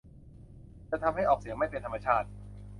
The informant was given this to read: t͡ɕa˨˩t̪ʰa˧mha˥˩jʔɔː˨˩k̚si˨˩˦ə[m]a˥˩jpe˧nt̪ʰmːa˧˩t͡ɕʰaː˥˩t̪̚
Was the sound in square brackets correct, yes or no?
yes